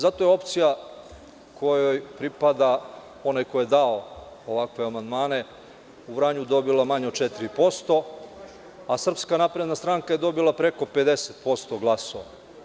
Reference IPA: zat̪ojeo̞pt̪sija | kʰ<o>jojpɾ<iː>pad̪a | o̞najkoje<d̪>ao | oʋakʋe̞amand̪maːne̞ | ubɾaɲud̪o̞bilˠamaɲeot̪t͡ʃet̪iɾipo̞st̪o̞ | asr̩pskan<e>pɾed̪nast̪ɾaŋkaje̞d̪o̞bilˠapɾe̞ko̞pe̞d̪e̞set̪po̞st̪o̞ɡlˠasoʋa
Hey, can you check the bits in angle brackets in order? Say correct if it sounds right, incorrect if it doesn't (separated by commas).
correct, incorrect, correct, incorrect